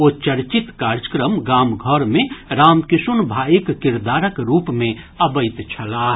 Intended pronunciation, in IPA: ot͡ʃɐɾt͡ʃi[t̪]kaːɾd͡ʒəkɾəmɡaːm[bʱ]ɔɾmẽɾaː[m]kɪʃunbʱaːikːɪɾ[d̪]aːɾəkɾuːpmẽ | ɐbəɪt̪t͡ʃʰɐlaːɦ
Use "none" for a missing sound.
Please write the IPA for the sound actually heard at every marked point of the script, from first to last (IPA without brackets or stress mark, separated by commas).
t̪, ɡʱ, m, d̪